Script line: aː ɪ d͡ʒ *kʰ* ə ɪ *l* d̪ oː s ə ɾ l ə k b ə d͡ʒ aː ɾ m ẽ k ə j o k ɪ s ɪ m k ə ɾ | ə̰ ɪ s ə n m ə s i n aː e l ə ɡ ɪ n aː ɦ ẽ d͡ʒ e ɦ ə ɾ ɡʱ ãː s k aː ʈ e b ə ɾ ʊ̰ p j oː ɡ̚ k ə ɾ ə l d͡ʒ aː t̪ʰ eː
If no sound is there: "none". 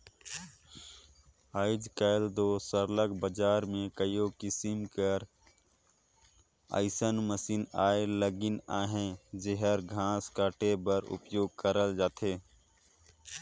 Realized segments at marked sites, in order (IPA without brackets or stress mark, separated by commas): k, l